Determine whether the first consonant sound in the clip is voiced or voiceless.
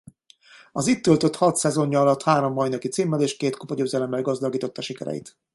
voiced